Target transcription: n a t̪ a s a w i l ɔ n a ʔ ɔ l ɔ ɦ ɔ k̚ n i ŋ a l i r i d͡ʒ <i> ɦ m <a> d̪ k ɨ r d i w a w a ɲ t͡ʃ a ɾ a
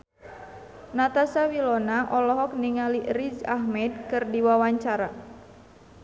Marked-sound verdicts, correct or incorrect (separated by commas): incorrect, incorrect